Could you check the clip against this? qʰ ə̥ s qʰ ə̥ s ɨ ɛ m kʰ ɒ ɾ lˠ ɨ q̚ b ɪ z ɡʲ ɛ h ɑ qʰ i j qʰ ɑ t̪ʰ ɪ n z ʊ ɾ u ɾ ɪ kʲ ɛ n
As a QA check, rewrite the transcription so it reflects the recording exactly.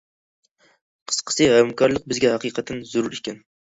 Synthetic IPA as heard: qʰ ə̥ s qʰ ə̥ s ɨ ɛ m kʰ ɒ ɾ lˠ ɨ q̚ b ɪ z ɡʲ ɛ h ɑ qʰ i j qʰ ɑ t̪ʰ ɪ n z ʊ ɾ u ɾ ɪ kʲ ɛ n

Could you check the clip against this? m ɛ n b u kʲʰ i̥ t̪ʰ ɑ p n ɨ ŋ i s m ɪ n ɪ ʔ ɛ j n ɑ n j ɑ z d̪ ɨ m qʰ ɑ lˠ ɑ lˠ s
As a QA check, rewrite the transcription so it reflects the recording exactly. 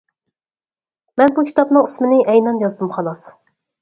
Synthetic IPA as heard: m ɛ n b u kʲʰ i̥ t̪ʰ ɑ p n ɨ ŋ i s m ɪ n ɪ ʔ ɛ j n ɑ n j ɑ z d̪ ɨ m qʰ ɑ lˠ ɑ s

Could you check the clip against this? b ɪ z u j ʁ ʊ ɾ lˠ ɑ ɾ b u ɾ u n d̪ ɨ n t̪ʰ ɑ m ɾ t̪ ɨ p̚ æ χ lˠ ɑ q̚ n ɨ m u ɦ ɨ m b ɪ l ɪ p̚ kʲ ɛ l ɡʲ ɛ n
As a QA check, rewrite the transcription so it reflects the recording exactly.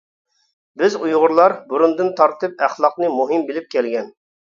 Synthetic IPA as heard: b ɪ z u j ʁ ʊ ɾ lˠ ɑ ɾ b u ɾ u n d̪ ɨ n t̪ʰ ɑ ɾ t̪ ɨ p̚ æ χ lˠ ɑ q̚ n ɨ m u ɦ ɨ m b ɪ l ɪ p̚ kʲ ɛ l ɡʲ ɛ n

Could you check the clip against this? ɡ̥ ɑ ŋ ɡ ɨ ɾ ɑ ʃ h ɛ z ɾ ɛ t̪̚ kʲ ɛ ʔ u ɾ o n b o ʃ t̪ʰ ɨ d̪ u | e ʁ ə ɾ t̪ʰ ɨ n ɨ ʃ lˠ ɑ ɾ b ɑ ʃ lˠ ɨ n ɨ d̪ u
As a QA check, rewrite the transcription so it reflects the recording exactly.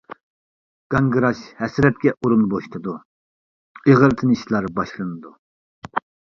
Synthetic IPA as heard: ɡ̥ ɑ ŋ ɡ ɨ ɾ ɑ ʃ h ɛ s ɾ ɛ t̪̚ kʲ ɛ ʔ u ɾ u n b o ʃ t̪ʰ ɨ d̪ u | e ʁ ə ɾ t̪ʰ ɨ n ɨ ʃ lˠ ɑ ɾ b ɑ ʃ lˠ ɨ n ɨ d̪ u

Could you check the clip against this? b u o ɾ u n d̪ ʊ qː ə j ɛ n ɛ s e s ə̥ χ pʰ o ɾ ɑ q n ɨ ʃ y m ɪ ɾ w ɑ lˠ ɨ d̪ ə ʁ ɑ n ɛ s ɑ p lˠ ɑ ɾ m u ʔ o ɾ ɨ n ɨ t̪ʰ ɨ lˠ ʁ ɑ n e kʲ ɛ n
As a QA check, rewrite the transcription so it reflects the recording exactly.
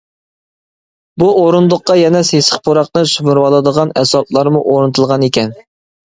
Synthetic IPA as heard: b u o ɾ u n d̪ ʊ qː ɑ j ɛ n ɛ s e s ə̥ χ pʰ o ɾ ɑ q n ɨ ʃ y m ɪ ɾ w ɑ lˠ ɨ d̪ ə ʁ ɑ n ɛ s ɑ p lˠ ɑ ɾ m u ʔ o ɾ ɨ n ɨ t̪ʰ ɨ lˠ ʁ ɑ n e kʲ ɛ n

